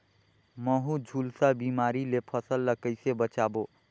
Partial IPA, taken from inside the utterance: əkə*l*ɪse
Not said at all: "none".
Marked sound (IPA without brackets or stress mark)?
none